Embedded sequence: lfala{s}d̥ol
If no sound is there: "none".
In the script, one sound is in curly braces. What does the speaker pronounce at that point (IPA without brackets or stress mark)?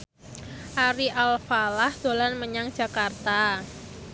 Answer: h